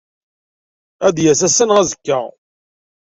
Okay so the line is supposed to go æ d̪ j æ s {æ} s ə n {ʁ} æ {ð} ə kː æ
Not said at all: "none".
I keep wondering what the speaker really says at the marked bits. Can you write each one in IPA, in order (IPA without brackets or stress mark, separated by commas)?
æ, ʁ, z